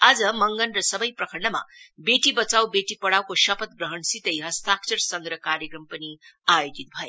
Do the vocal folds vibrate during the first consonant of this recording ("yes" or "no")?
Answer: yes